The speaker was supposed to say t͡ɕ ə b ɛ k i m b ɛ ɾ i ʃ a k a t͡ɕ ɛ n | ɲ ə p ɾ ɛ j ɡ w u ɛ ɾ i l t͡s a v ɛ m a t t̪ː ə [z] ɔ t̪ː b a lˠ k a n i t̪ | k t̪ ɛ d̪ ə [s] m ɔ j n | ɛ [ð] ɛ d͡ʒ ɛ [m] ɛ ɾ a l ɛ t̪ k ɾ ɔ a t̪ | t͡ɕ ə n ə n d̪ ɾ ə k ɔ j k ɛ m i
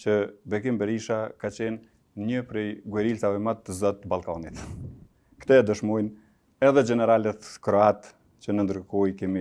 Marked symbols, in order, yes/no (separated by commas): yes, no, yes, no